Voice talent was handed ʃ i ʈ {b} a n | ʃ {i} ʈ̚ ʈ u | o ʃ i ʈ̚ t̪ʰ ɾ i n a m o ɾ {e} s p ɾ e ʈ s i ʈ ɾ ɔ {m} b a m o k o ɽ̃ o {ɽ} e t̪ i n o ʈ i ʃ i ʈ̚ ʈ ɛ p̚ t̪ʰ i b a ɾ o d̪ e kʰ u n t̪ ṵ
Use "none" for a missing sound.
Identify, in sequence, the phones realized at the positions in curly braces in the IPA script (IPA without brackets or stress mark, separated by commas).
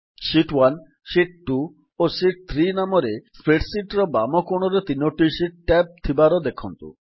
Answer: w, i, e, none, ɾ